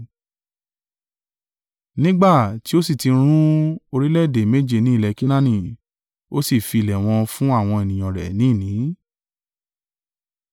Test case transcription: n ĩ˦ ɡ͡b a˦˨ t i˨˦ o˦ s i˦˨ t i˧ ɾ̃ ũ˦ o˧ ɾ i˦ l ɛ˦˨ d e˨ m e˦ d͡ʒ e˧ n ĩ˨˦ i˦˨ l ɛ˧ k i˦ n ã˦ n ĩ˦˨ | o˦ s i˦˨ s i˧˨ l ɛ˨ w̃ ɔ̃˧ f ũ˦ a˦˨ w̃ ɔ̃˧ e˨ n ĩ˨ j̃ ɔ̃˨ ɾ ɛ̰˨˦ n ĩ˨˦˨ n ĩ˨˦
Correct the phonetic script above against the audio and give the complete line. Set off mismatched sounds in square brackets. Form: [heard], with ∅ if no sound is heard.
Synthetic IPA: n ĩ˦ ɡ͡b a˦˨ t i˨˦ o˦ s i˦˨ t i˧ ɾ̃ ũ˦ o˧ ɾ i˦ l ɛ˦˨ d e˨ m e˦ d͡ʒ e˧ n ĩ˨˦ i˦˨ l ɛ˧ k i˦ n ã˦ n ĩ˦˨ | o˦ s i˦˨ [f] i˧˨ l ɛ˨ w̃ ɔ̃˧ f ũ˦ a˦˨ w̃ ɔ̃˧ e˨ n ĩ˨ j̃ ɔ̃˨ ɾ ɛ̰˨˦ n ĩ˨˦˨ n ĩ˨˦